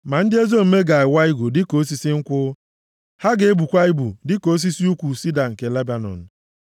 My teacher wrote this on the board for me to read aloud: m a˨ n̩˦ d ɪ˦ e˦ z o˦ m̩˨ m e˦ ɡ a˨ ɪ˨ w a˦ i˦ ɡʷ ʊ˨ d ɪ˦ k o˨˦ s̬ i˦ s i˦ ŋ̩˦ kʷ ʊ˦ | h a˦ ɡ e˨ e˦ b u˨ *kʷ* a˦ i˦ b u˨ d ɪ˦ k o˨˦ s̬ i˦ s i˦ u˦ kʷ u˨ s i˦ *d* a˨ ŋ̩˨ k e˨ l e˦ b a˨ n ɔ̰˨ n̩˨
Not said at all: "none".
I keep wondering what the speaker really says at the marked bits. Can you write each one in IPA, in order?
kʷ, d

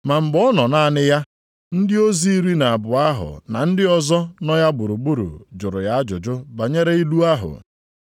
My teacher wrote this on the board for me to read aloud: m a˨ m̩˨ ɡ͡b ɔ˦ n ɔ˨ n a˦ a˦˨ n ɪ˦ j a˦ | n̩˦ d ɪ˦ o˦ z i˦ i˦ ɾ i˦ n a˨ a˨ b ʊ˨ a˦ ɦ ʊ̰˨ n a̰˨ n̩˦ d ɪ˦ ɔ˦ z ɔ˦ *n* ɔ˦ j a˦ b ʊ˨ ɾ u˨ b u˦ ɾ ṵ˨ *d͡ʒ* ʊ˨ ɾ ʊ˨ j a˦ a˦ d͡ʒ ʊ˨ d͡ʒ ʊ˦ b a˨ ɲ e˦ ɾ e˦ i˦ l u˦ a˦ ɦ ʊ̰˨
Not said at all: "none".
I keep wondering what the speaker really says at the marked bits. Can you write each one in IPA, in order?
n, d͡ʒ

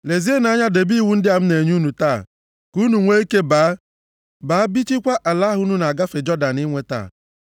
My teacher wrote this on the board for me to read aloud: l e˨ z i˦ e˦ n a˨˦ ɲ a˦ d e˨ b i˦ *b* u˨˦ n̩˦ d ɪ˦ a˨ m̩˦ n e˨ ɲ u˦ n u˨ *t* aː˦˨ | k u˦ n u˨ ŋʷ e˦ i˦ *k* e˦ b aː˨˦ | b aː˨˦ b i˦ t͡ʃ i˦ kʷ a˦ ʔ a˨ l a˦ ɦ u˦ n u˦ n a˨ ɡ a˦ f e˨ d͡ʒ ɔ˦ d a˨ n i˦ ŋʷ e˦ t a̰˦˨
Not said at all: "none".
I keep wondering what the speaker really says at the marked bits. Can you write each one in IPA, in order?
w, t, k

